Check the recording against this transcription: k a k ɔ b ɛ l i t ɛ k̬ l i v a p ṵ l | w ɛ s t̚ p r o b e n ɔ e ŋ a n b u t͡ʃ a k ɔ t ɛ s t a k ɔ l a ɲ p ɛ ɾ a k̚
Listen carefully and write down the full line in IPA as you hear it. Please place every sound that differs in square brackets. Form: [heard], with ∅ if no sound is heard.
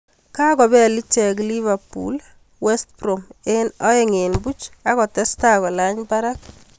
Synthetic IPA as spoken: k a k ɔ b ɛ l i [t͡ʃ] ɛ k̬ l i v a p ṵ l | w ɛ s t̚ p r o [m] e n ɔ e ŋ [e] n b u t͡ʃ a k ɔ t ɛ s t a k ɔ l a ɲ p [a] ɾ a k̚